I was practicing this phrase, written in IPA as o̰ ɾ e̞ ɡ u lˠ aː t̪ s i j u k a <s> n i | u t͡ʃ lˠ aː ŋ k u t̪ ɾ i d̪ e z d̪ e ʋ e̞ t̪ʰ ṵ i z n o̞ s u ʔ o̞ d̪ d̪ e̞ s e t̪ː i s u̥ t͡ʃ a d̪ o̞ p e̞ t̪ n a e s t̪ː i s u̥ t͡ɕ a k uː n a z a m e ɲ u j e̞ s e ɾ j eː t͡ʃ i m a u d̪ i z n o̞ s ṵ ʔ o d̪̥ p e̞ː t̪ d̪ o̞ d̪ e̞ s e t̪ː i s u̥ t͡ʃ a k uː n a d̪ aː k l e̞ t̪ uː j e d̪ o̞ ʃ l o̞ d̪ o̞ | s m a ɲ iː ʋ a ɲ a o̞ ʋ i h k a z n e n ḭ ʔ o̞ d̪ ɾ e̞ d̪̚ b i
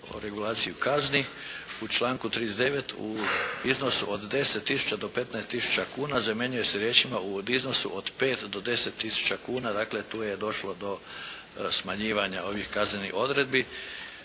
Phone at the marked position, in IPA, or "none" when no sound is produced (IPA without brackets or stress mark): z